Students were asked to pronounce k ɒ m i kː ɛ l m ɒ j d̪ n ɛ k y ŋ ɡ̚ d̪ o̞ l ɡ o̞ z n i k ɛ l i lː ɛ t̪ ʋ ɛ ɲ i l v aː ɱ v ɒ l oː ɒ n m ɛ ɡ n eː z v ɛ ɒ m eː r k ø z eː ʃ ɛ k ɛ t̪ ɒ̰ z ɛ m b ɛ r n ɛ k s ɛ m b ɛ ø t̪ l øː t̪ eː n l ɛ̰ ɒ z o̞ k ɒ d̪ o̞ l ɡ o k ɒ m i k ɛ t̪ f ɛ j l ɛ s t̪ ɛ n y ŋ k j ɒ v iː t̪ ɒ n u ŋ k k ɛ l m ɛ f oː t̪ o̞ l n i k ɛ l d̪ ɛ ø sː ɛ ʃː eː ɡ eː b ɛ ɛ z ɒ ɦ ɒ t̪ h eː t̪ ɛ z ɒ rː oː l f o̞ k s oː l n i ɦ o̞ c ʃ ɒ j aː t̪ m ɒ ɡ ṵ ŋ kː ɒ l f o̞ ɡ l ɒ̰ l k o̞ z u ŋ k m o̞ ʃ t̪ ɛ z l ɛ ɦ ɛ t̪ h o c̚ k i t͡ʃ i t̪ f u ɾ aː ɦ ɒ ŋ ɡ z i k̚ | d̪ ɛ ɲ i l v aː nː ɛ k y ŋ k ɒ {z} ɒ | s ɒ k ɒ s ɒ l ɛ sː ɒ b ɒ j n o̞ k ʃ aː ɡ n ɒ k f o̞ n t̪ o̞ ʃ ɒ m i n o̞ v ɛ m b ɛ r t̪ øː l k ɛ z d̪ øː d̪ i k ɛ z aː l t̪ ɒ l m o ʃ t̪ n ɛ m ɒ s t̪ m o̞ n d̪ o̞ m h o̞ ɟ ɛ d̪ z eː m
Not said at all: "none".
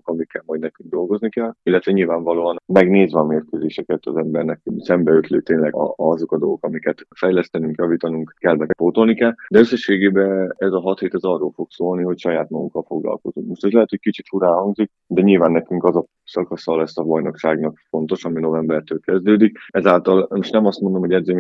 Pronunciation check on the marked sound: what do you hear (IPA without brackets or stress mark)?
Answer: z